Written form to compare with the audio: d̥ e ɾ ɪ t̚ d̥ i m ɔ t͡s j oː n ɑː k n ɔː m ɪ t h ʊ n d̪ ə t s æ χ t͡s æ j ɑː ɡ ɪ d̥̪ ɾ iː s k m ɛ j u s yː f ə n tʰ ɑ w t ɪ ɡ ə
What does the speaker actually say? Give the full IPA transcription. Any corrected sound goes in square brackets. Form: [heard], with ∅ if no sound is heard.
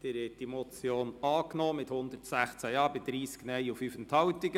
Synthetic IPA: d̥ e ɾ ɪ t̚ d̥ i m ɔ t͡s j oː n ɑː k n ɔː m ɪ t h ʊ n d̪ ə t s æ χ t͡s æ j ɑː [b] ɪ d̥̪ ɾ iː s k [n] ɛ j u [f] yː f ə n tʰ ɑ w t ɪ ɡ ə